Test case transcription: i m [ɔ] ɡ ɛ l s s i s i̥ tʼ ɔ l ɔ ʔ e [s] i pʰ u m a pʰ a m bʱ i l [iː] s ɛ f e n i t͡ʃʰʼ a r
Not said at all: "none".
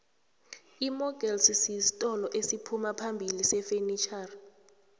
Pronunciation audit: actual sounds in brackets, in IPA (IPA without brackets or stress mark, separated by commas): ɔ, s, i